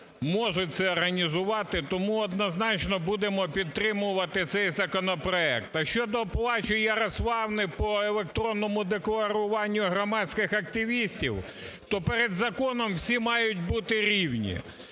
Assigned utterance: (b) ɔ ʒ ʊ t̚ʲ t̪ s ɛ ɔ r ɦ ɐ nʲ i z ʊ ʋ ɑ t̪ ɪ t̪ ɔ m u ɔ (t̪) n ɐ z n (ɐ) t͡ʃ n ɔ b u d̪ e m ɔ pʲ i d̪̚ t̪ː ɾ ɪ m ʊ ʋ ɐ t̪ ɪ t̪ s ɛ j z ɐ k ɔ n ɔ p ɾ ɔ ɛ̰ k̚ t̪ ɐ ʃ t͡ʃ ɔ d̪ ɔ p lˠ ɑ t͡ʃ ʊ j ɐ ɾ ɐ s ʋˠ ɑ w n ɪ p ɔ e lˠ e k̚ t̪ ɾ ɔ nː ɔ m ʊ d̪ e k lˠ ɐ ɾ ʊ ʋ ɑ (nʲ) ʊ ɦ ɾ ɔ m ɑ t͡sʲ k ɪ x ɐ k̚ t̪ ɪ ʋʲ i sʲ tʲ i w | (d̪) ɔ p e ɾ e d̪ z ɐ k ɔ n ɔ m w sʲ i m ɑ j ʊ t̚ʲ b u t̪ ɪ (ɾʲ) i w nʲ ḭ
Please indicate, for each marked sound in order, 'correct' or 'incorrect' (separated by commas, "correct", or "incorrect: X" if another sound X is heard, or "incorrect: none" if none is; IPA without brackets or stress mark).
incorrect: m, incorrect: d̪, incorrect: ɑ, incorrect: nʲː, incorrect: t̪, correct